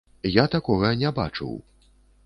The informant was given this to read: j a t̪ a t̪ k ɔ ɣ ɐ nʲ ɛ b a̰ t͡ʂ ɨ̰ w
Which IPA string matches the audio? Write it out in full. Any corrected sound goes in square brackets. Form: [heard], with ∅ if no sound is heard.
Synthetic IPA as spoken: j a t̪ a [∅] k ɔ ɣ ɐ nʲ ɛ b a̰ t͡ʂ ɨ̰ w